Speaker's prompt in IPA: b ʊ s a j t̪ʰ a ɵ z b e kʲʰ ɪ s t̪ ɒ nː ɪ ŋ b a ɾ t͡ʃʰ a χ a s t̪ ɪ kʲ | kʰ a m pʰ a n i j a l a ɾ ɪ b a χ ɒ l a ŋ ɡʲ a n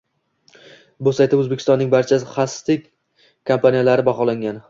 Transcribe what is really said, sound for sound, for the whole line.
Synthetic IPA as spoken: b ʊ s a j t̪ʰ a ɵ z b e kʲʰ ɪ s t̪ ɒ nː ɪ ŋ b a ɾ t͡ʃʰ a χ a s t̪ ɪ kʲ | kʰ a m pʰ a n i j a l a ɾ ɪ b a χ ɒ l a ŋ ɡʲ a n